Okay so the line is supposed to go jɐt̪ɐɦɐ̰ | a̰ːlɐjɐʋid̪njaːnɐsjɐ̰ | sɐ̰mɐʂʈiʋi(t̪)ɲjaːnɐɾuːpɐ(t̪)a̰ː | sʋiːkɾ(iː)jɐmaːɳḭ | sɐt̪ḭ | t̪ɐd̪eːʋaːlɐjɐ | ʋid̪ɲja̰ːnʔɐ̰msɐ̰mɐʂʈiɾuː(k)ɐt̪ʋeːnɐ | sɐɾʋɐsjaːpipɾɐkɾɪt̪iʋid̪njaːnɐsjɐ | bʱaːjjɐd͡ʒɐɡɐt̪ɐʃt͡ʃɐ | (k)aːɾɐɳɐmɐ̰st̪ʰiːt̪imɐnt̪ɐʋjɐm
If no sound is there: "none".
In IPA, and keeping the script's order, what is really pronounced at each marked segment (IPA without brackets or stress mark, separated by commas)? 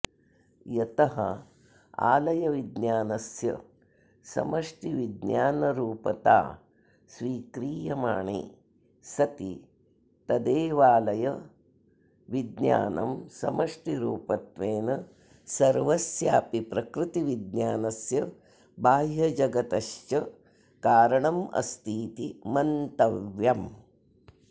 d̪, t̪, iː, p, k